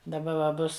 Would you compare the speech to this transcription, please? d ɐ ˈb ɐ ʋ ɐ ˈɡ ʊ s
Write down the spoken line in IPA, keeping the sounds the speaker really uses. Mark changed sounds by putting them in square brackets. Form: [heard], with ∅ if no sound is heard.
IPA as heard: d ɐ ˈb ɐ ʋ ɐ [ˈb] ʊ s